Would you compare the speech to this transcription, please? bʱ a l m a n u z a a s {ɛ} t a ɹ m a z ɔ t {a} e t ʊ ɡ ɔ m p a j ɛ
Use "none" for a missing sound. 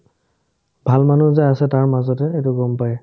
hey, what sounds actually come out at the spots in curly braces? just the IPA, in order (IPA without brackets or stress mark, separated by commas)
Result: ɛ, ɛ